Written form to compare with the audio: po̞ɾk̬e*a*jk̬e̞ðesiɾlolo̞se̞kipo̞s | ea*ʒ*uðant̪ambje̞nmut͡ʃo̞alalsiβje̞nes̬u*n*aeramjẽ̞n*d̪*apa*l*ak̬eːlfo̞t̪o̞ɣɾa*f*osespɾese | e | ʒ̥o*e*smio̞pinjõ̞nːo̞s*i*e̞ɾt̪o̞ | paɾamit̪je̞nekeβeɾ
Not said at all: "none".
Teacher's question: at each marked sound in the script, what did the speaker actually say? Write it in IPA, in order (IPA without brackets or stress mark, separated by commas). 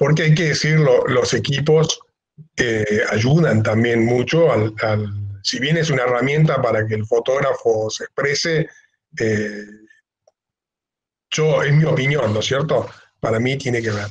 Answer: a, ʒ, n, t̪, ɾ, f, e, j